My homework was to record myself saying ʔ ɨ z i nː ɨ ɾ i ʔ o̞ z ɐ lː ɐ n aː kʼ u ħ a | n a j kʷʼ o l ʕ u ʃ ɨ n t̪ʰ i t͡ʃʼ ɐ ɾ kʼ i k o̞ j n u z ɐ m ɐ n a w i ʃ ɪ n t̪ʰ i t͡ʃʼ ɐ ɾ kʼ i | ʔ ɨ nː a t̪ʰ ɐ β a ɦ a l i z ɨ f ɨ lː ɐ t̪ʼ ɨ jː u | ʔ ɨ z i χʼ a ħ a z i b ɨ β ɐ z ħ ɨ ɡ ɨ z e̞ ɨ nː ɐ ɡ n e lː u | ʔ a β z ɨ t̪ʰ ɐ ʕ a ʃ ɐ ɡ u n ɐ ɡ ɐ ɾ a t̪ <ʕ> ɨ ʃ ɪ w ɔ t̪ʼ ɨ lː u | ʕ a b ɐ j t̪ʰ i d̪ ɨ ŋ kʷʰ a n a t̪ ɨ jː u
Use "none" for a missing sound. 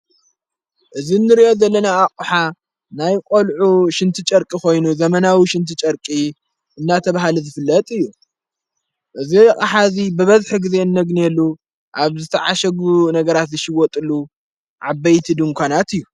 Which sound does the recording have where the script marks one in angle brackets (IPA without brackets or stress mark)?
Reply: z